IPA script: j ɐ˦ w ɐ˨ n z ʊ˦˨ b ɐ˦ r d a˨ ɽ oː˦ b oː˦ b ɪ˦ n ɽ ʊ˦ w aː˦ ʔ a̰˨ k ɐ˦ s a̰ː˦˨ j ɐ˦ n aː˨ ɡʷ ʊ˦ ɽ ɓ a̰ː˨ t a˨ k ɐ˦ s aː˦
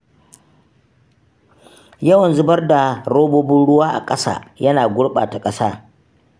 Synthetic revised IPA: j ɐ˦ w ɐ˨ n z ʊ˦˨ b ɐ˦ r d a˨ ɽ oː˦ b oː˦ b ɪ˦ n ɽ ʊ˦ w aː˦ ʔ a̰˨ kʼ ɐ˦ s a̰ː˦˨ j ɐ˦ n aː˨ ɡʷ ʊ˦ ɽ ɓ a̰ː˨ t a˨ kʼ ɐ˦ s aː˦